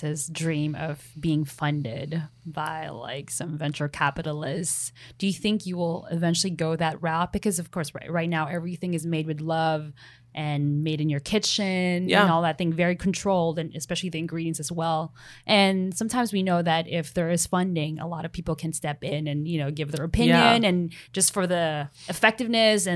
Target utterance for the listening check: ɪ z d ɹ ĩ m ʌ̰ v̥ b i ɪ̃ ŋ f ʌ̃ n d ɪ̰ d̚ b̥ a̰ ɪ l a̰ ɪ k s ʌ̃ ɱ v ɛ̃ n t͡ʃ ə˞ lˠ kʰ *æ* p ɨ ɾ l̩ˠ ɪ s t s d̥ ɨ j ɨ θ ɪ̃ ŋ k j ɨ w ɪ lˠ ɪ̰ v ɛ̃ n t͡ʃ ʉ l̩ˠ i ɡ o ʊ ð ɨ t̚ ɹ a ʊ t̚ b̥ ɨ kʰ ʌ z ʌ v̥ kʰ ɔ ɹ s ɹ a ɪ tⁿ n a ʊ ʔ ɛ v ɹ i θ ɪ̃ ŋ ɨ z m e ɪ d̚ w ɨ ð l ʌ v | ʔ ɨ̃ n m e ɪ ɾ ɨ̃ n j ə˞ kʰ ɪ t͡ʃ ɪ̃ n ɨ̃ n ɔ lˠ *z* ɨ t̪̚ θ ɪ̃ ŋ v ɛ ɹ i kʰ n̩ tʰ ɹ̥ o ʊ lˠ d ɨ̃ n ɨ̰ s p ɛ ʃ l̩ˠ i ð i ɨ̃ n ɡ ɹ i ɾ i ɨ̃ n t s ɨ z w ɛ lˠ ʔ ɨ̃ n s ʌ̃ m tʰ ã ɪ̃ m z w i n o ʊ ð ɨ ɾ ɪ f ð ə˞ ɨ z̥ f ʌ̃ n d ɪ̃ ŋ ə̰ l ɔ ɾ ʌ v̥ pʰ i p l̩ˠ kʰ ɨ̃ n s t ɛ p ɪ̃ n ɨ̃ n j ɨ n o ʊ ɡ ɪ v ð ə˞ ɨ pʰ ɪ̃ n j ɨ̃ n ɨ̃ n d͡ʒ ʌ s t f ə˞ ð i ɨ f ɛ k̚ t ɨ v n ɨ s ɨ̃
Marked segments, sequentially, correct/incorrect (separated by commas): correct, incorrect